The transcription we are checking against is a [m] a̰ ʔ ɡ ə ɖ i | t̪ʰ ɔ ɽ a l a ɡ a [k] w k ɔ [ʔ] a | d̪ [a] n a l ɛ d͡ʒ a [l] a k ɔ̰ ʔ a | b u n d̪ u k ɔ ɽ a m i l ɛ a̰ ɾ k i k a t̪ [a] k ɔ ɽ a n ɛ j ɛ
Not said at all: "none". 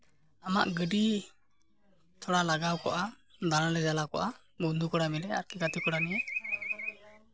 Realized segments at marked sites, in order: m, none, ʔ, a, l, i

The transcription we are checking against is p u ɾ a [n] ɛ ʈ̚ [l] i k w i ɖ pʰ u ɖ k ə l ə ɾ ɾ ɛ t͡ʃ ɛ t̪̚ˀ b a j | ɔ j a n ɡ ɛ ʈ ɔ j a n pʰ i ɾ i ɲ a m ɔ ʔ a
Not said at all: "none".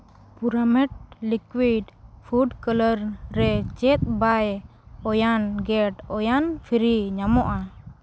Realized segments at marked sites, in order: m, l

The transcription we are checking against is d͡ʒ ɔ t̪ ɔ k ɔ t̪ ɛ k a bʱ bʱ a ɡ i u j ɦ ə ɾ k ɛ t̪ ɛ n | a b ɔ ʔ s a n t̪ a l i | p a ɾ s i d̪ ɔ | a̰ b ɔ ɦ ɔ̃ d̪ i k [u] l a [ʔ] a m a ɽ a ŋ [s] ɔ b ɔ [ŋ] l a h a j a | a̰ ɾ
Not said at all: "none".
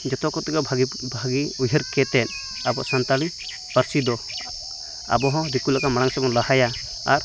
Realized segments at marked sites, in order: u, k, s, n

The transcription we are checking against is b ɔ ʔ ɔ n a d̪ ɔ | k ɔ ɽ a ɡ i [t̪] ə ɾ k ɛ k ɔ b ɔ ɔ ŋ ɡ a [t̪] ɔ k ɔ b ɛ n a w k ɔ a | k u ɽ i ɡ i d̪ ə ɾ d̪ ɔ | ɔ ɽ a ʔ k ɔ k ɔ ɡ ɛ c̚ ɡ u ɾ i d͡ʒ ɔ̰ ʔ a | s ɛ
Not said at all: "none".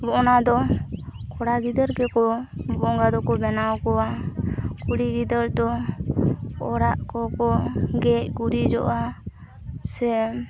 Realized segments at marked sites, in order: d̪, d̪

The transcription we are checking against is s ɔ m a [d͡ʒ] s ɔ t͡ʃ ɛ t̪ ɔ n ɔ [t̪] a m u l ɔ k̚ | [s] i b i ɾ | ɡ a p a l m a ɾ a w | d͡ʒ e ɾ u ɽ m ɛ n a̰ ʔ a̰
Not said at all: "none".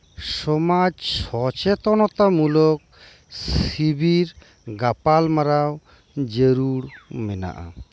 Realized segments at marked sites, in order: d͡ʒ, t̪, s

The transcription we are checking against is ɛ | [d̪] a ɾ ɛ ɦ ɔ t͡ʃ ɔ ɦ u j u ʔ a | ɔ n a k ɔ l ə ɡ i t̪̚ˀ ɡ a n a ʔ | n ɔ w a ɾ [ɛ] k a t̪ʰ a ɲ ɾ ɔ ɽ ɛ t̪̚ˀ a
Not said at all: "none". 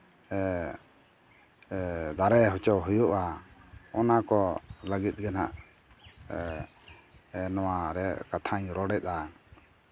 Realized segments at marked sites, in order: d̪, ɛ

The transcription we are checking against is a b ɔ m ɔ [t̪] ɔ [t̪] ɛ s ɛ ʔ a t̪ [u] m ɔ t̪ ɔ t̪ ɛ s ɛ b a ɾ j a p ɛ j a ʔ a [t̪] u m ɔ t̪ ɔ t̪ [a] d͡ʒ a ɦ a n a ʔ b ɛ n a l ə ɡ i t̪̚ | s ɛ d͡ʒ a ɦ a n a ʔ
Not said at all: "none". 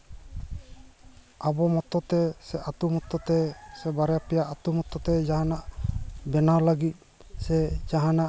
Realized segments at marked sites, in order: t̪, t̪, u, t̪, ɛ

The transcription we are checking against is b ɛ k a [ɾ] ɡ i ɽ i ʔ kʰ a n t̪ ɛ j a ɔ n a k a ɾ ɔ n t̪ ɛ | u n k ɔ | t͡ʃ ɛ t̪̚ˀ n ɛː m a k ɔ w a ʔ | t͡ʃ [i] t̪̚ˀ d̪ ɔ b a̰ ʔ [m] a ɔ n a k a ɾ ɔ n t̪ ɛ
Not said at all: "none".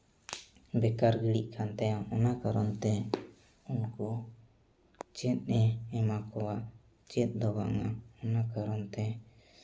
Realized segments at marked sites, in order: ɾ, ɛ, ŋ

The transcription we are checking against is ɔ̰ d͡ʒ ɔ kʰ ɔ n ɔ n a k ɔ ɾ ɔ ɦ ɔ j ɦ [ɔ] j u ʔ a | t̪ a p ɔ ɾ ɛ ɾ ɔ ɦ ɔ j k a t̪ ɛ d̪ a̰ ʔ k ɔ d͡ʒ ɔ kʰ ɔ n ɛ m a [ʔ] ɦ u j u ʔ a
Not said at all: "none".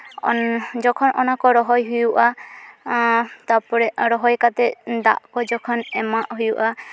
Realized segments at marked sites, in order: u, ʔ

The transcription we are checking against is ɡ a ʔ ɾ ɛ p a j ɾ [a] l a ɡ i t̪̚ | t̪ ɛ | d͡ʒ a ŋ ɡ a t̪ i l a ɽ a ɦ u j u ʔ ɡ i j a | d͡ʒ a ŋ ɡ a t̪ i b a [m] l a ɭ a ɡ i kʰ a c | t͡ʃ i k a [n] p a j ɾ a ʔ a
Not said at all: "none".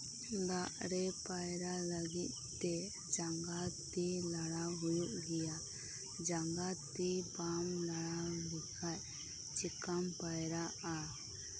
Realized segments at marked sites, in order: a, m, m

